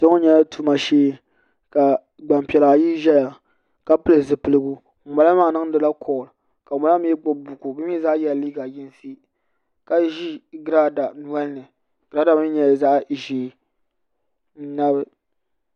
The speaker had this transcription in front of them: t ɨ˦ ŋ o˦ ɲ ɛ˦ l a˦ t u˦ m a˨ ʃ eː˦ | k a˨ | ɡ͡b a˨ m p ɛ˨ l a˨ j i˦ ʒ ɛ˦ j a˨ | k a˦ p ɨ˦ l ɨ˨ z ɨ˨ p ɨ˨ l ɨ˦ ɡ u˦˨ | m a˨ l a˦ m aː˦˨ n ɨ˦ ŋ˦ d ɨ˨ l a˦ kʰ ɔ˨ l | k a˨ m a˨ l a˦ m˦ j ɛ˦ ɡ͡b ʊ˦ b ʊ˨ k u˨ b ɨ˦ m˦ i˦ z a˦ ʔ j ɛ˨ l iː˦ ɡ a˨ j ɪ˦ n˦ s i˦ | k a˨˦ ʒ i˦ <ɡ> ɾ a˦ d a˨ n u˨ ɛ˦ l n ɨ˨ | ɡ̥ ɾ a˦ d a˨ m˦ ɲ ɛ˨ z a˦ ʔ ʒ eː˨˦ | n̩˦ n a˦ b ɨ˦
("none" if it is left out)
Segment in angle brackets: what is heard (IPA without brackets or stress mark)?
ɡ